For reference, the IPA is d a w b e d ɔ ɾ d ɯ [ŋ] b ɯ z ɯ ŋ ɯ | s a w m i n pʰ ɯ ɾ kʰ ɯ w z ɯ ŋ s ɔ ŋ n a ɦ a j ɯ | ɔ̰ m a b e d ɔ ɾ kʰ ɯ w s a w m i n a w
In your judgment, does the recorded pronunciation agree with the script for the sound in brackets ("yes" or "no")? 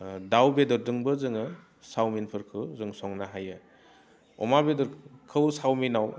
yes